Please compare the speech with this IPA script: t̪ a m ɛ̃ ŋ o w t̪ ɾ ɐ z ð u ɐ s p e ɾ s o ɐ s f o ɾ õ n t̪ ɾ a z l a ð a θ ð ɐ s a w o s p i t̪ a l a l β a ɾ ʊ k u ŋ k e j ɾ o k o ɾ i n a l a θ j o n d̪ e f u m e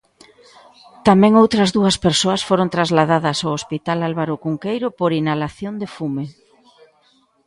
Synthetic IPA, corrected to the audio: t̪ a m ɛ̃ ŋ o w t̪ ɾ ɐ z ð u ɐ s p e ɾ s o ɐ s f o ɾ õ n t̪ ɾ a z l a ð a ð ɐ s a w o s p i t̪ a l a l β a ɾ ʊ k u ŋ k e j ɾ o p o ɾ i n a l a θ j o n d̪ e f u m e